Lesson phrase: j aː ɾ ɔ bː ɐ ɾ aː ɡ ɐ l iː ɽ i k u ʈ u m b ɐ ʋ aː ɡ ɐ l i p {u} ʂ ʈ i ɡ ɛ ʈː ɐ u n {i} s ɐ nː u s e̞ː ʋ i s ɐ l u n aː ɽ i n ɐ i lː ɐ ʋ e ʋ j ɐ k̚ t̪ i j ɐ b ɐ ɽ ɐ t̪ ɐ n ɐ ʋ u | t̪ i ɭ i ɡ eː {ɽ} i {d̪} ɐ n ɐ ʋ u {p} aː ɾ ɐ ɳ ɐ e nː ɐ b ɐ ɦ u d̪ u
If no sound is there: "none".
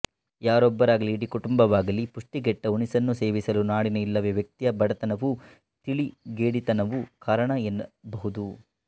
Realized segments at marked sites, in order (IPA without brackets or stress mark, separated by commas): u, i, ɽ, t̪, k